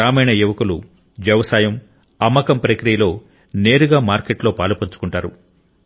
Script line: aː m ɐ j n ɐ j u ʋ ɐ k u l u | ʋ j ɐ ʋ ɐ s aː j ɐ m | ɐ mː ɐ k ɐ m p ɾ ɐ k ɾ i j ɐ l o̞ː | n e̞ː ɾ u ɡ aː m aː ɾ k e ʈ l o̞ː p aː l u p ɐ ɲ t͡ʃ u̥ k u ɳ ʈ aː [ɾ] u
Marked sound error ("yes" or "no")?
no